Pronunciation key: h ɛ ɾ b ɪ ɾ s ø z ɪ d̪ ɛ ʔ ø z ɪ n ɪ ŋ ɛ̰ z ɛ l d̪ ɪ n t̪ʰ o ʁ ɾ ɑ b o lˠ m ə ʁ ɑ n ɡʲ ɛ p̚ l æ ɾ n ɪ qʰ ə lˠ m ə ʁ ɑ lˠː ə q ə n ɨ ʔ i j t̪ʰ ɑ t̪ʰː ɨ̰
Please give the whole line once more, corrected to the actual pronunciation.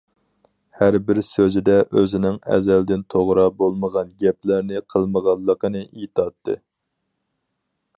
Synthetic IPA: h æ ɾ b ɪ ɾ s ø z ɪ d̪ ɛ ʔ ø z ɪ n ɪ ŋ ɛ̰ z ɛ l d̪ ɪ n t̪ʰ o ʁ ɾ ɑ b o lˠ m ə ʁ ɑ n ɡʲ ɛ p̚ l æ ɾ n ɪ qʰ ə lˠ m ə ʁ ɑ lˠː ə q ə n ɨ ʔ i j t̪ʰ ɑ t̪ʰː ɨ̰